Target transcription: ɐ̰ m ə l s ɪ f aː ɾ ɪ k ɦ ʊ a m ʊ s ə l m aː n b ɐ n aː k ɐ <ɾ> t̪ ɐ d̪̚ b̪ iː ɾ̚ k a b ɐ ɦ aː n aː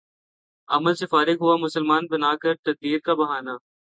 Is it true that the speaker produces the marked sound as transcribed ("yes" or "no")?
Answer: yes